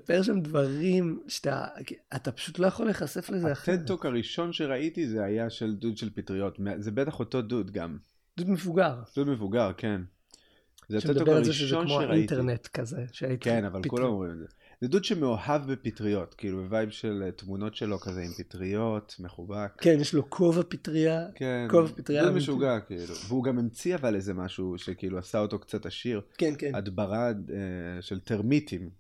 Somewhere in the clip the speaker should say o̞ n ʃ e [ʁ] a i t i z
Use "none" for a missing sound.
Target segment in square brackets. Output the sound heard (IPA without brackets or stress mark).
ʁ